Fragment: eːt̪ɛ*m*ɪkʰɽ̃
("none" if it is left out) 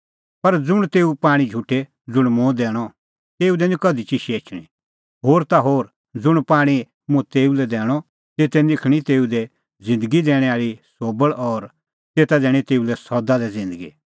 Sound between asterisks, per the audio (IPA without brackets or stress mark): n